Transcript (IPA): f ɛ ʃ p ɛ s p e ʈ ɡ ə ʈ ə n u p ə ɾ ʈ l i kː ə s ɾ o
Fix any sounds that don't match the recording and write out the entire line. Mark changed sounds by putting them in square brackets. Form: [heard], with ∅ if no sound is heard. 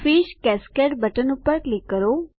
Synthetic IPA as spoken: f [i] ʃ [k] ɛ s [k] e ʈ [b] ə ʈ ə n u p ə ɾ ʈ l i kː ə [∅] ɾ o